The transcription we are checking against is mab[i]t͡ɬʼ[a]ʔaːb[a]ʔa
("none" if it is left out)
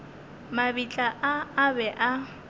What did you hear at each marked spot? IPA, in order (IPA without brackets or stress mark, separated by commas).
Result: i, a, ɛ